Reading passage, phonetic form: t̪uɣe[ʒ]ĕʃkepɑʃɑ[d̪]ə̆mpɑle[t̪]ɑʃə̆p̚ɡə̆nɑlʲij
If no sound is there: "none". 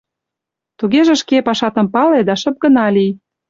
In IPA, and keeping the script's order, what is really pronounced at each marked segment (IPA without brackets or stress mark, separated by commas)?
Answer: ʒ, t̪, d̪